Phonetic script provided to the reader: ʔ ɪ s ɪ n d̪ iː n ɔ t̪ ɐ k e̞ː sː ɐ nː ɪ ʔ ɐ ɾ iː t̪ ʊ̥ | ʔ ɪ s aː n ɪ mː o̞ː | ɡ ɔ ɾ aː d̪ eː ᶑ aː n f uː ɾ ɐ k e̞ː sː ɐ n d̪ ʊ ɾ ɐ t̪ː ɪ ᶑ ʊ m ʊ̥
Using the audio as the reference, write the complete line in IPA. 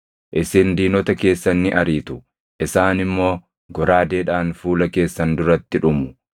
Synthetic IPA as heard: ʔ ɪ s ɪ n d̪ iː n ɔ t̪ ɐ k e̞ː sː ɐ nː ɪ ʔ ɐ ɾ iː t̪ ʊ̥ | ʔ ɪ s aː n ɪ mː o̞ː | ɡ ɔ ɾ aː d̪ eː ᶑ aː n f uː l ɐ k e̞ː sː ɐ n d̪ ʊ ɾ ɐ t̪ː ɪ ᶑ ʊ m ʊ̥